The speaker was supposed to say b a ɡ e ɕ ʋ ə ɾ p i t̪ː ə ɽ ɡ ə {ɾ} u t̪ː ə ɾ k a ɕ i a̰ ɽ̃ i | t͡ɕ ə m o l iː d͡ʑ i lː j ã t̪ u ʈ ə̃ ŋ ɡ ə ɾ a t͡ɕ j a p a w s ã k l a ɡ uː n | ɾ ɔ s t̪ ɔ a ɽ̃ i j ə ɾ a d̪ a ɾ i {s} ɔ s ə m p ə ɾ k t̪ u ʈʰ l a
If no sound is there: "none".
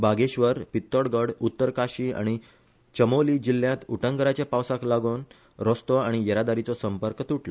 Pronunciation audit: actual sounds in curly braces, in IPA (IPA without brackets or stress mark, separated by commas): ɽ, t͡s